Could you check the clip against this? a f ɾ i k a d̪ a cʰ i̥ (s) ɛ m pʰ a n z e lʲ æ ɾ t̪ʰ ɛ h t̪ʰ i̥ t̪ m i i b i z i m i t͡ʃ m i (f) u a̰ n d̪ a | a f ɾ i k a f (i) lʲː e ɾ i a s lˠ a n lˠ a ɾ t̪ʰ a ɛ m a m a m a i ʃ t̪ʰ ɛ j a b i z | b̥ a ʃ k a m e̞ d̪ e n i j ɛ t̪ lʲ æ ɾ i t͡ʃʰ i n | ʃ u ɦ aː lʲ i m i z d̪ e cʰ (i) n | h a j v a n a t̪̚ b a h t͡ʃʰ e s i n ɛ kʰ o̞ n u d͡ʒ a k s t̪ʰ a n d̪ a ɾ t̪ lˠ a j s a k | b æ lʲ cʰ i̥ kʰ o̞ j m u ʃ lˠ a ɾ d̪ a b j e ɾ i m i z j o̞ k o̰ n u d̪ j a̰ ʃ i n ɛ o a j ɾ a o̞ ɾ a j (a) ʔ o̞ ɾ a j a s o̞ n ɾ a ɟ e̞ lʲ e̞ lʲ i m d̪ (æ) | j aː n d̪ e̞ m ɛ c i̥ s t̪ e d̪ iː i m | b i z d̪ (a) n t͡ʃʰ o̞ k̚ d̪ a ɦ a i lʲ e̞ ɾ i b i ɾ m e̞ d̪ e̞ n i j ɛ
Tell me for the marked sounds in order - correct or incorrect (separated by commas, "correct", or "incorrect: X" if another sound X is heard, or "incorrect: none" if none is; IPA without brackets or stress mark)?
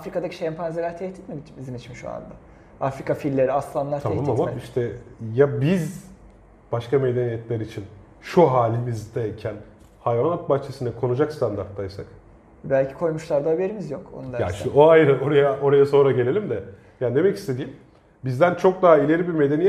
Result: incorrect: ʃ, incorrect: ʃ, correct, incorrect: æ, correct, incorrect: ɛ, incorrect: æ